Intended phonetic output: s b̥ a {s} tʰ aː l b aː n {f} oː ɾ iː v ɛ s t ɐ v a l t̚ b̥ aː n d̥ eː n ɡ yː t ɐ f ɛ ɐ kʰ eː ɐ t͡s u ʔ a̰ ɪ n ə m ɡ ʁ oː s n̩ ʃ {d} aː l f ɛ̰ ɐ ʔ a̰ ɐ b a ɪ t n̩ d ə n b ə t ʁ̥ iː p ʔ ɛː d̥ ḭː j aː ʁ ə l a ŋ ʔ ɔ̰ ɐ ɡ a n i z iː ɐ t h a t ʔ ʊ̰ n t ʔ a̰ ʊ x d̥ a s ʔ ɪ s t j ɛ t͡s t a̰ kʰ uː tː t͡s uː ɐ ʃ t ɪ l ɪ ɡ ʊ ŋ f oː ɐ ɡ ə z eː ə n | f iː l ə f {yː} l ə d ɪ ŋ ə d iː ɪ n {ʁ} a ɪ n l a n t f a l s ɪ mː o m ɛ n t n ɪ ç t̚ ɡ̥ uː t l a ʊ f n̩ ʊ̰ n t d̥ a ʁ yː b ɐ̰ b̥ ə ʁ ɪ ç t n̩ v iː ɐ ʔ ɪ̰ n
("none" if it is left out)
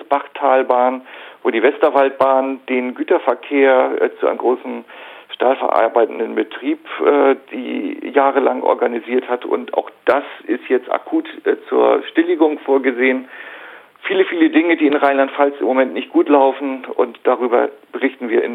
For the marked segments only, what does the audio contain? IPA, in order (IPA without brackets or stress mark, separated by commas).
χ, v, t, iː, ʁ